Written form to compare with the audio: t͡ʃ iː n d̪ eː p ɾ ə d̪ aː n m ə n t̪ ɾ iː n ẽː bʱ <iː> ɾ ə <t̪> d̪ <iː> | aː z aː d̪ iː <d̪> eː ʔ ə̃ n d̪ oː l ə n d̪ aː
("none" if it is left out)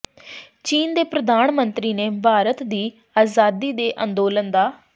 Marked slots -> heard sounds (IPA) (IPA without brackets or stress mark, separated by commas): aː, t̪, iː, d̪